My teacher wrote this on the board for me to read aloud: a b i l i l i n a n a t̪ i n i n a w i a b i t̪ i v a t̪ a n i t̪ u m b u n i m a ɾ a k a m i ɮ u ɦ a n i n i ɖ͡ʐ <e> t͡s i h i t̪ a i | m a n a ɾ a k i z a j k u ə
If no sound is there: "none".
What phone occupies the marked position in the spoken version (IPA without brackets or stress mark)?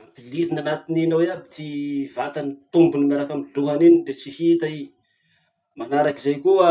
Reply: e